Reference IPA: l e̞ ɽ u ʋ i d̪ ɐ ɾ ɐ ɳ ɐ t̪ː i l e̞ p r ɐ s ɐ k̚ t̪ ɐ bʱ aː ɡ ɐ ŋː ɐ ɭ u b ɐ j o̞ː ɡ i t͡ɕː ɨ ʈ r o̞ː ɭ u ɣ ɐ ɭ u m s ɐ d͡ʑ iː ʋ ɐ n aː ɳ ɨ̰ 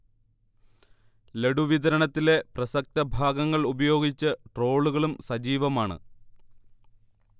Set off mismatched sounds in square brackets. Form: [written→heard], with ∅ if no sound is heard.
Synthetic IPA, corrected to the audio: l e̞ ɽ u ʋ i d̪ ɐ ɾ ɐ ɳ ɐ t̪ː i l e̞ p r ɐ s ɐ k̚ t̪ ɐ bʱ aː ɡ ɐ ŋː ɐ ɭ u b ɐ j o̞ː ɡ i t͡ɕː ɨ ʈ r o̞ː ɭ u ɣ ɐ ɭ u m s ɐ d͡ʑ iː ʋ ɐ [n→m] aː ɳ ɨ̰

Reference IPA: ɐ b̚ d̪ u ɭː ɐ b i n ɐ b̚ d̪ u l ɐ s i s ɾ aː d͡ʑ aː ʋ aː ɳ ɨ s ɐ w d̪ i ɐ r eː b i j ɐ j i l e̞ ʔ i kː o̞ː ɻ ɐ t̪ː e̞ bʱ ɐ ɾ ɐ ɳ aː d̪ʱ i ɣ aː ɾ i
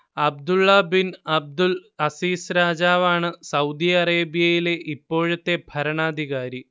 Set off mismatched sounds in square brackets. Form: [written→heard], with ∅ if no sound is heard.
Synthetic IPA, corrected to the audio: ɐ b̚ d̪ u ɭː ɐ b i n ɐ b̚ d̪ u l ɐ s [i→iː] s ɾ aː d͡ʑ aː ʋ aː ɳ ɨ s ɐ w d̪ i ɐ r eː b i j ɐ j i l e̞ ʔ i [kː→pː] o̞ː ɻ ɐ t̪ː e̞ bʱ ɐ ɾ ɐ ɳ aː d̪ʱ i ɣ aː ɾ i

